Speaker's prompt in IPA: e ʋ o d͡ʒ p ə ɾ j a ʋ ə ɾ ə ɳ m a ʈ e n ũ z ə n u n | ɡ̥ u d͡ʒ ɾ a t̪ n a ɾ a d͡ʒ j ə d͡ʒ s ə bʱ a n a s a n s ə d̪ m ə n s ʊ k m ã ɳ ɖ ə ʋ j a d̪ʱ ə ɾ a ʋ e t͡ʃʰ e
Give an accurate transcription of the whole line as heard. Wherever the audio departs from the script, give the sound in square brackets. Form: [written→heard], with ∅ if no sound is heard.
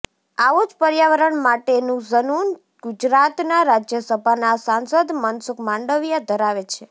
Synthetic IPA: [e→a] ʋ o d͡ʒ p ə ɾ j a ʋ ə ɾ ə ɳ m a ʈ e n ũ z ə n u n | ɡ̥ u d͡ʒ ɾ a t̪ n a ɾ a d͡ʒ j ə [d͡ʒ→∅] s ə bʱ a n a s a n s ə d̪ m ə n s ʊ k m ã ɳ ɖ ə ʋ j a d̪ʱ ə ɾ a ʋ e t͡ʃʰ e